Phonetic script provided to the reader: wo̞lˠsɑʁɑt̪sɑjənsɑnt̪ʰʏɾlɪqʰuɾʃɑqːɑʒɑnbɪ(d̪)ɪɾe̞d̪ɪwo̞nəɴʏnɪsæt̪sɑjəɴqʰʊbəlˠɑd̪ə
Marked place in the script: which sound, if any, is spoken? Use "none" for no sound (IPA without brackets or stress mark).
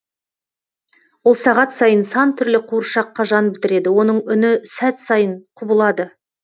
t̪